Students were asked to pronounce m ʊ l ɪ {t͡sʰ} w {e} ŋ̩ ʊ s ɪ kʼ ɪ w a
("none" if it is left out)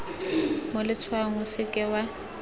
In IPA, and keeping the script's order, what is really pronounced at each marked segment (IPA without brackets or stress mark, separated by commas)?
t͡sʰ, a